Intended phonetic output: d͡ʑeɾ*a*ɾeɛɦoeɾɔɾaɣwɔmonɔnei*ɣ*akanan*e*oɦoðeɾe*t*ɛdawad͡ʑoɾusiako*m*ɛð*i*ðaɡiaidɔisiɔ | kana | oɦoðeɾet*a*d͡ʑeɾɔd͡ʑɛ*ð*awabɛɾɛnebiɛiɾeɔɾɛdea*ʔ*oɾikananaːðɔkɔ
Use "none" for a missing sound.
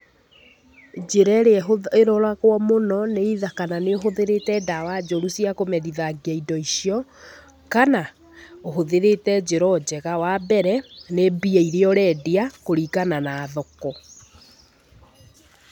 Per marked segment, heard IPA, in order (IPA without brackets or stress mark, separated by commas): ɛ, ð, e, t, m, i, ɛ, ɣ, k